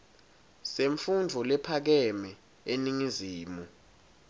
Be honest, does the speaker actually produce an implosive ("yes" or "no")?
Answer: no